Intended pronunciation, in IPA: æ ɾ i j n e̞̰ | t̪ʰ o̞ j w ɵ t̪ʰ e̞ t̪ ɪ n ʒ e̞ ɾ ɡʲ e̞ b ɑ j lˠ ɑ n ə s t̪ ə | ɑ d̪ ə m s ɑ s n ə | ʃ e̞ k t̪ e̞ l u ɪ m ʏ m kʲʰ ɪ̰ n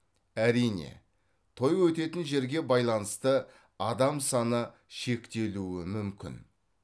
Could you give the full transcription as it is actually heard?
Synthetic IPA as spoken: æ ɾ i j n e̞̰ | t̪ʰ o̞ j w ɵ t̪ e̞ t̪ ɪ n ʒ e̞ ɾ ɡʲ e̞ b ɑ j lˠ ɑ n ə s t̪ ə | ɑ d̪ ɑ m s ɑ n ə | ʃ e̞ k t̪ e̞ l u ɪ m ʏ m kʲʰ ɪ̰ n

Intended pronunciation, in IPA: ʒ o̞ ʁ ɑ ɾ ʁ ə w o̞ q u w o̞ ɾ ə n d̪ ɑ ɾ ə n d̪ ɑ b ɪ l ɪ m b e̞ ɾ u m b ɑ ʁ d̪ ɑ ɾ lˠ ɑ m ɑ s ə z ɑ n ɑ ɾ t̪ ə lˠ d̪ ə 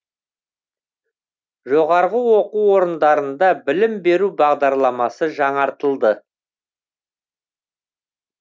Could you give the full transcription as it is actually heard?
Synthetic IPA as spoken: ʒ o̞ ʁ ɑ ɾ ʁ ə w o̞ q u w o̞ ɾ ə n d̪ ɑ ɾ ə n d̪ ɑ b ɪ l ɪ m b e̞ ɾ u b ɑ ʁ d̪ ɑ ɾ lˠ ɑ m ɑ s ə ʒ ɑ ɴ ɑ ɾ t̪ ə lˠ d̪ ə

